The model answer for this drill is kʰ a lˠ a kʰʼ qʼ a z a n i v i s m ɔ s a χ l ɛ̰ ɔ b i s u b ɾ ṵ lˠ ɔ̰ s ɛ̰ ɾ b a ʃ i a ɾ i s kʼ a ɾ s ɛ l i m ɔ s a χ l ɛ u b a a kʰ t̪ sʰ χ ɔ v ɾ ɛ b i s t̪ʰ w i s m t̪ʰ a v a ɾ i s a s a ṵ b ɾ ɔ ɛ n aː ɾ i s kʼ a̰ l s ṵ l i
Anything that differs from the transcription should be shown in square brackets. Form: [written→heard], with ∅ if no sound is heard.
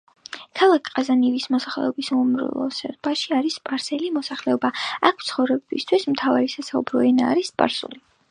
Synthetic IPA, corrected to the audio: kʰ a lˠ a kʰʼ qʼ a z a n i v i s m ɔ s a χ l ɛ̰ ɔ b i s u [b→m] ɾ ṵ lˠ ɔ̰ s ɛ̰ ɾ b a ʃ i a ɾ i s [kʼ→pʼ] a ɾ s ɛ l i m ɔ s a χ l ɛ [u→ɔ] b a a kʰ t̪ sʰ χ ɔ v ɾ ɛ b i s t̪ʰ w i s m t̪ʰ a v a ɾ i s a s a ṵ b ɾ ɔ ɛ n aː ɾ i s [kʼ→pʼ] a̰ [l→ɾ] s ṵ l i